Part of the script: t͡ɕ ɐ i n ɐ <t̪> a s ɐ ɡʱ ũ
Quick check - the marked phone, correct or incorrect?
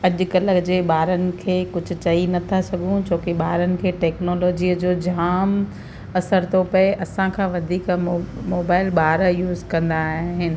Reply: incorrect: t̪ʰ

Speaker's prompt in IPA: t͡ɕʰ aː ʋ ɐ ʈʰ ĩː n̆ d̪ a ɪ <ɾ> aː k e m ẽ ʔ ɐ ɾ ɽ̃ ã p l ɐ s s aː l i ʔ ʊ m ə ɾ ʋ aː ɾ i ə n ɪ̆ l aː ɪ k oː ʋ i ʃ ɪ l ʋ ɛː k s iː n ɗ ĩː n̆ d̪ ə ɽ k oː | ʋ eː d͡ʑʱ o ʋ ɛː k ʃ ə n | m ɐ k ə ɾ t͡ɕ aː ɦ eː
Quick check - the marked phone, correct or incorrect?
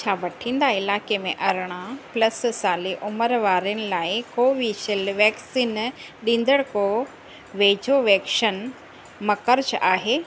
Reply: incorrect: l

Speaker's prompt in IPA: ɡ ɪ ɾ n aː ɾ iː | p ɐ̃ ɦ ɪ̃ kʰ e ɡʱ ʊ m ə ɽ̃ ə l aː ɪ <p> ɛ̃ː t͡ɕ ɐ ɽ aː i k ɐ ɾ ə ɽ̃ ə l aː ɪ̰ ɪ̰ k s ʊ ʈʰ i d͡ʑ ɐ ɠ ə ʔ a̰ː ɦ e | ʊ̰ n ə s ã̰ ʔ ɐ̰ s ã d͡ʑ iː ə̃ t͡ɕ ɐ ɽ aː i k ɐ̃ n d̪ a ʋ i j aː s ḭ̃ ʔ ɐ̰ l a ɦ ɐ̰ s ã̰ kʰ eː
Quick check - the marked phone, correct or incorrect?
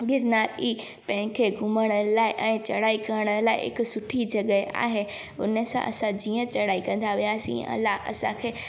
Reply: incorrect: ʔ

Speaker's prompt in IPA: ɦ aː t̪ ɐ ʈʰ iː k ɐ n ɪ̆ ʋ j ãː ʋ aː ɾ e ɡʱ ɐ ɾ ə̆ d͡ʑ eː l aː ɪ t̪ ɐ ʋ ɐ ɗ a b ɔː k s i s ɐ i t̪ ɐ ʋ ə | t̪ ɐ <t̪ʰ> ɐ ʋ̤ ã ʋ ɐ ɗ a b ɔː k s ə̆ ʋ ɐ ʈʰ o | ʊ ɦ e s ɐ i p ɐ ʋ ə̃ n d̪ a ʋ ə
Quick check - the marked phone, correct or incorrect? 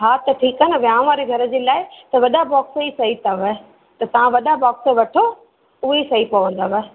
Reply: incorrect: t̪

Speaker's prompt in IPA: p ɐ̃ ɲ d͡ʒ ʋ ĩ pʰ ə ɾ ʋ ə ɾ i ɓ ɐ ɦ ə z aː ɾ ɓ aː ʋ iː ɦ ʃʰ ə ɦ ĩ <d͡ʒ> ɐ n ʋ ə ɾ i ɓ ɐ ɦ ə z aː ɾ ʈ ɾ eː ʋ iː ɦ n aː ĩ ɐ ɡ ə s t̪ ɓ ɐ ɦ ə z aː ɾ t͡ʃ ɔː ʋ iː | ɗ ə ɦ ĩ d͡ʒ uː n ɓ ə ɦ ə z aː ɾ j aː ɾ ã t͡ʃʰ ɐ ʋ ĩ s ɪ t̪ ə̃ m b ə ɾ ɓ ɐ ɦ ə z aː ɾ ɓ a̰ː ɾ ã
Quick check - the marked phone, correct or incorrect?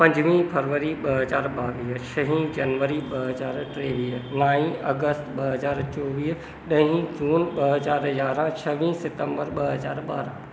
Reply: correct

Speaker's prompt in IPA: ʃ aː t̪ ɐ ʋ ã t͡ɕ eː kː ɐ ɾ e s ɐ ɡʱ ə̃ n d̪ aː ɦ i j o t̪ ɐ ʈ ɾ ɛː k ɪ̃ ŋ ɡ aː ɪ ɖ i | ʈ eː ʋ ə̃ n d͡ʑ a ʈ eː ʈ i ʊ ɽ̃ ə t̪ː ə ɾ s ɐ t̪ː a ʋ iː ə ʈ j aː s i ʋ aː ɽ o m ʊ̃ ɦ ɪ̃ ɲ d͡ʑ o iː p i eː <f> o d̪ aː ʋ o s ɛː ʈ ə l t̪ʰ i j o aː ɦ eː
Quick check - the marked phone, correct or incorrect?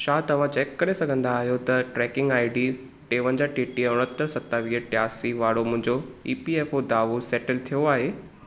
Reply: correct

